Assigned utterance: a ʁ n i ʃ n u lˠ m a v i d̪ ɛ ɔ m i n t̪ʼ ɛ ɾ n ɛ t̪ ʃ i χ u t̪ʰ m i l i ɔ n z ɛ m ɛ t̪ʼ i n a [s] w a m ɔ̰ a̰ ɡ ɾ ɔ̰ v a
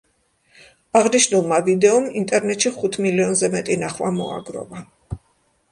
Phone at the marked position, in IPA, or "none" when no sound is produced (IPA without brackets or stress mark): χ